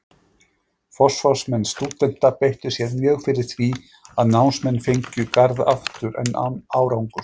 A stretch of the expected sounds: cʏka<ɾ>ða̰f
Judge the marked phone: correct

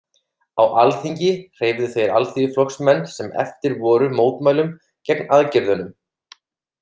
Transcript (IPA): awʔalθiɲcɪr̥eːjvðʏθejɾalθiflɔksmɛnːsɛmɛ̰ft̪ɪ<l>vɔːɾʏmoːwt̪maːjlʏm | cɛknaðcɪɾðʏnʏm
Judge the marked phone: incorrect: ɾ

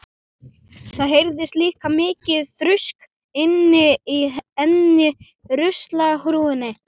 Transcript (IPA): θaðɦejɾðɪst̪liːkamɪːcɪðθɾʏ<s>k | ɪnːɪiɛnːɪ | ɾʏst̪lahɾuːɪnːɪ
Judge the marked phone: correct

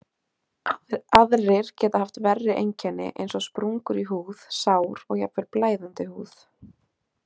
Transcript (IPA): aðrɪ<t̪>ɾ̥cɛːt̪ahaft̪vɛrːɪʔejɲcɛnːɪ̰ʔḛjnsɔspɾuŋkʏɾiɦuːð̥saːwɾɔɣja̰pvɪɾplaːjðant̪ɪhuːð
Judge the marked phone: incorrect: none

